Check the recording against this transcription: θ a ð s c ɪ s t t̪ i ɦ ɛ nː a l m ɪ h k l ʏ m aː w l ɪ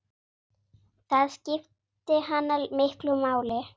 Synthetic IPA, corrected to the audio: θ a ð s c ɪ f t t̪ ɪ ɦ a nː a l m ɪ h k l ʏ m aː w l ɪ